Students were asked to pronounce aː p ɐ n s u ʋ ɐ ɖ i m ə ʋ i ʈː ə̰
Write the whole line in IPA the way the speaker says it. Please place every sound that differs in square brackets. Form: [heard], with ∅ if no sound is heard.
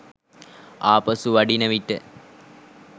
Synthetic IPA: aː p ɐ [∅] s u ʋ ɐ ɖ i [n] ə ʋ i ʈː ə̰